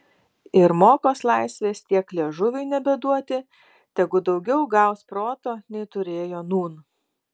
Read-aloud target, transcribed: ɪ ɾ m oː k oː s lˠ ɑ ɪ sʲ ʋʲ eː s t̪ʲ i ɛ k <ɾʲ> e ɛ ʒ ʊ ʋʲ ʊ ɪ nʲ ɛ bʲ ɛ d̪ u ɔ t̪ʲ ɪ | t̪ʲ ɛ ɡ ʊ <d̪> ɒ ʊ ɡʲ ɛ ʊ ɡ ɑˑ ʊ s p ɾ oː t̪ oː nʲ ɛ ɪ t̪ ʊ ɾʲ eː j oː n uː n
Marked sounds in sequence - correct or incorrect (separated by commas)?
incorrect, correct